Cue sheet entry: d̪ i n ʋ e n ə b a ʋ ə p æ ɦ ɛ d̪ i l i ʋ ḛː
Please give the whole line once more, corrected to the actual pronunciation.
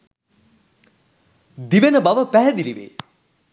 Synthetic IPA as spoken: d̪ i ʋ e n ə b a ʋ ə p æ ɦ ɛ d̪ i l i ʋ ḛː